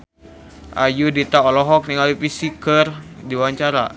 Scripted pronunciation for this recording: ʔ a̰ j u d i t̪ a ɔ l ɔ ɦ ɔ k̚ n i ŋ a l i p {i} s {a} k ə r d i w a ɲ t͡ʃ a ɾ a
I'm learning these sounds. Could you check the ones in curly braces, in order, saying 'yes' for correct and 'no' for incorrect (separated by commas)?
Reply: yes, no